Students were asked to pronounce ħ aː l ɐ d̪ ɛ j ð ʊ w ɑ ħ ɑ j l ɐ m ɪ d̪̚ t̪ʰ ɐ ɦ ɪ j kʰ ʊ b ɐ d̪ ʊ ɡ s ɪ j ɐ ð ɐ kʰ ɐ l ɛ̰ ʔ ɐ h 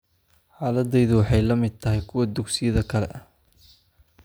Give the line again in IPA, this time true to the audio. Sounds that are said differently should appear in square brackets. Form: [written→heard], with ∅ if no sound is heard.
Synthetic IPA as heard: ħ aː l ɐ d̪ ɛ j ð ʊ w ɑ ħ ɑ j l ɐ m ɪ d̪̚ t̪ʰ ɐ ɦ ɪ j kʰ ʊ [b→w] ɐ d̪ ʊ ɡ s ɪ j ɐ ð ɐ kʰ ɐ l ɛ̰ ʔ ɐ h